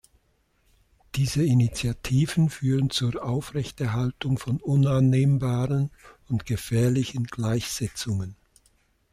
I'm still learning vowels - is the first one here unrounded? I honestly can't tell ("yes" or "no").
yes